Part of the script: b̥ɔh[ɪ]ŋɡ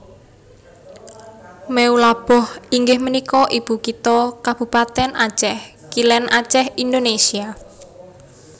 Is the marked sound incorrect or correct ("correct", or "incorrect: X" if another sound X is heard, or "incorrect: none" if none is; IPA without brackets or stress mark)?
incorrect: i